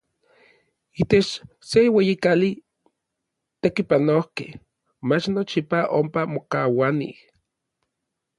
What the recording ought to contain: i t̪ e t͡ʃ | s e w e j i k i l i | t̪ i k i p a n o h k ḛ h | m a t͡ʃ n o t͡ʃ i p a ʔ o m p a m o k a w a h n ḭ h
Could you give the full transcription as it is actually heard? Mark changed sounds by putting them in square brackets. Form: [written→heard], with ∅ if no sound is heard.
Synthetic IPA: i t̪ e t͡ʃ | s e w e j i k [i→a] l i | t̪ [i→e] k i p a n o h k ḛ h | m a t͡ʃ n o t͡ʃ i p a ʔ o m p a m o k a w a [h→∅] n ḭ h